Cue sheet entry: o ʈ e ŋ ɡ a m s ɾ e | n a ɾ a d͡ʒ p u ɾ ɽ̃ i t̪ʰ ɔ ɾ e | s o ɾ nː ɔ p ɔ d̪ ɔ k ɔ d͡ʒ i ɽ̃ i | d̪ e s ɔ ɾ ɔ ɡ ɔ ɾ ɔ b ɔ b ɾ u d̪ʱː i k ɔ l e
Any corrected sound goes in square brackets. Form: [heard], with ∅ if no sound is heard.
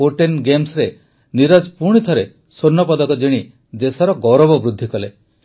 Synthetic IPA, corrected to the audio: o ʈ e [n] ɡ [e] m s ɾ e | n [i] ɾ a d͡ʒ p u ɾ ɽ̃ i t̪ʰ ɔ ɾ e | s o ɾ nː ɔ p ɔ d̪ ɔ k ɔ d͡ʒ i ɽ̃ i | d̪ e s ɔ ɾ ɔ ɡ ɔ ɾ ɔ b ɔ b ɾ u d̪ʱː i k ɔ l e